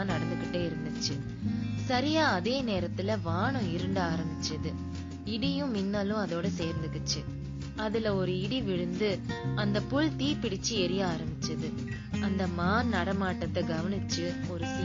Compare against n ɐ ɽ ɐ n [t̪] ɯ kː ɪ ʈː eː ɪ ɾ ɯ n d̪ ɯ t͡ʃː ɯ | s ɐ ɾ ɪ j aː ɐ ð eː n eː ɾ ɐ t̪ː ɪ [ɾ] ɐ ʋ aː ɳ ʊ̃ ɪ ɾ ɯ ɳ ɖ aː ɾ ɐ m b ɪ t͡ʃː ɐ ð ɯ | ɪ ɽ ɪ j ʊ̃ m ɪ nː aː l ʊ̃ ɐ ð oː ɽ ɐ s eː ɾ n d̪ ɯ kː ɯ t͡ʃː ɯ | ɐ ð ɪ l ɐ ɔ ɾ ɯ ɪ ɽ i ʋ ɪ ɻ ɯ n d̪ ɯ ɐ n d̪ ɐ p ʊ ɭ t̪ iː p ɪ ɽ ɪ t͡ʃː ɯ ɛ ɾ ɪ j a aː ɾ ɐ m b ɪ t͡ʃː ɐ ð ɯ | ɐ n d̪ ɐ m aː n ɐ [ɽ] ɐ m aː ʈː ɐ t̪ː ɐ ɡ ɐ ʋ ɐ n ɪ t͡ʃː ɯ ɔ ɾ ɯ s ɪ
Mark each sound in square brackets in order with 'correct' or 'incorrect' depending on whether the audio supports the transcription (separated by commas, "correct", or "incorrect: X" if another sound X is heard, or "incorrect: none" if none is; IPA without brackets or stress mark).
incorrect: d̪, incorrect: l, correct